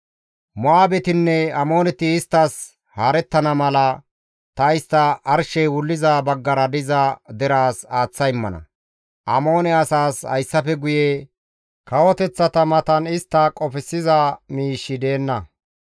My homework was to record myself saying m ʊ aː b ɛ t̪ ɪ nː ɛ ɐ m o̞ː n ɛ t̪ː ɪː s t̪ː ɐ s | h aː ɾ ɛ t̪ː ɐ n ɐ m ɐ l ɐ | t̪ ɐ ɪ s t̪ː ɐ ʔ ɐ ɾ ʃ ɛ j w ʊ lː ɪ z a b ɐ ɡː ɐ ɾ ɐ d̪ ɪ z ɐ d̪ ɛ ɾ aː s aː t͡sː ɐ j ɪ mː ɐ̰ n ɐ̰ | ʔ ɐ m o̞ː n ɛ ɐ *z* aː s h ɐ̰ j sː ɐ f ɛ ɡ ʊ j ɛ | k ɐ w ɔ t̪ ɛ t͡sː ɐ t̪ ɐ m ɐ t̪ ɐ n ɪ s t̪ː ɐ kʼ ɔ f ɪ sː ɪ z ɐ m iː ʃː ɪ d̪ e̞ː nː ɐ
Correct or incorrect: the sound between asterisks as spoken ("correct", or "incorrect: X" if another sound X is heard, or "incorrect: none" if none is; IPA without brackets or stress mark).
incorrect: s